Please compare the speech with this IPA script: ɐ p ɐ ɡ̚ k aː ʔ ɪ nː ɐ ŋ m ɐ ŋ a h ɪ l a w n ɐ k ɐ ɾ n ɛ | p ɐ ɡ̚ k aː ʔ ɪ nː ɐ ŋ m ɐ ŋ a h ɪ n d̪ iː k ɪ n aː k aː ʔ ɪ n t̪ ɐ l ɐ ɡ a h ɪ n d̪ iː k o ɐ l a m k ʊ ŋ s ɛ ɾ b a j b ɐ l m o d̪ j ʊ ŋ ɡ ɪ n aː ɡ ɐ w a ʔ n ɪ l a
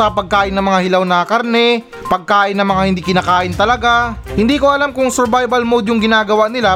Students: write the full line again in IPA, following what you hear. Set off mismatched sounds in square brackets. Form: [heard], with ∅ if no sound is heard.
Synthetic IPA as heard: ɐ p ɐ ɡ̚ k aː ʔ ɪ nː ɐ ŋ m ɐ ŋ a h ɪ l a w n ɐ k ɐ ɾ n ɛ | p ɐ ɡ̚ k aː ʔ ɪ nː ɐ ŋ m ɐ ŋ a h ɪ n d̪ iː k ɪ n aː k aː ʔ ɪ n t̪ ɐ l ɐ ɡ a h ɪ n d̪ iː k o ɐ l a m k ʊ ŋ s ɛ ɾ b a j b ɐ l m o d̪ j ʊ ŋ ɡ ɪ n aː ɡ ɐ w a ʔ n ɪ l a